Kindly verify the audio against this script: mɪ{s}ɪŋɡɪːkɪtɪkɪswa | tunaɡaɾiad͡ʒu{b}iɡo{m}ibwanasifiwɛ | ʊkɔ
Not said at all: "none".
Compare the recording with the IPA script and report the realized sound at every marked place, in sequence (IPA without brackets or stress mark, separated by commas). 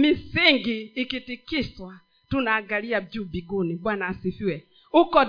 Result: s, b, n